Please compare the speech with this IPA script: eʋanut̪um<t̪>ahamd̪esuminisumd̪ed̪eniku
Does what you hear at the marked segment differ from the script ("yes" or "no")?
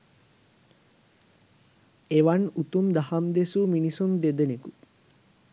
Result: yes